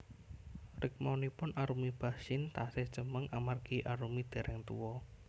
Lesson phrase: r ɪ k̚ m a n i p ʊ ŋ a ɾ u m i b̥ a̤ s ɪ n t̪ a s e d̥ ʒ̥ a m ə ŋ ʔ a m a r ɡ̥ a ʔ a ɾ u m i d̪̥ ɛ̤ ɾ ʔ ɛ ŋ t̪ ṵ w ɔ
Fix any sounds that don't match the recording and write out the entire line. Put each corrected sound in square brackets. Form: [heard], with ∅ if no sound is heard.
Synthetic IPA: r ɪ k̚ m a n i p ʊ [n] a ɾ u m i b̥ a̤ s ɪ n t̪ a s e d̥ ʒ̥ [ə] m ə ŋ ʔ a m a r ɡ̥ [i] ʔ a ɾ u m i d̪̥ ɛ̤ ɾ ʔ ɛ ŋ t̪ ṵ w ɔ